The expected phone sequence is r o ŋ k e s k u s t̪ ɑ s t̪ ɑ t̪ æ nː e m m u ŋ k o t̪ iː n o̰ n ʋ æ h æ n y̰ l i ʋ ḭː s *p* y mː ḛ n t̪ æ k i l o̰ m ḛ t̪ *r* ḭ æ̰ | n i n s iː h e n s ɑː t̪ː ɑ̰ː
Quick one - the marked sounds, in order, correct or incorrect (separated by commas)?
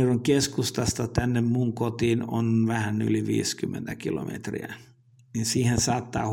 incorrect, correct